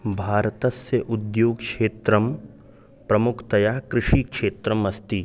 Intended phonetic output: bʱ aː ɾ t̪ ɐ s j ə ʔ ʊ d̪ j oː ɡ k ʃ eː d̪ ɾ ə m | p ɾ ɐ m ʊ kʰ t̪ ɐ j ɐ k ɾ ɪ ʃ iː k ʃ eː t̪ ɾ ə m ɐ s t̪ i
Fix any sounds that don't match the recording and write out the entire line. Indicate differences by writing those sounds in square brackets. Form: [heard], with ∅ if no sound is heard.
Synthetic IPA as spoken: bʱ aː ɾ t̪ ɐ s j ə ʔ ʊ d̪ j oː ɡ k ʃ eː [t̪] ɾ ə m | p ɾ ɐ m ʊ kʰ t̪ ɐ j [a] k ɾ ɪ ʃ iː k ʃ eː t̪ ɾ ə m ɐ s t̪ i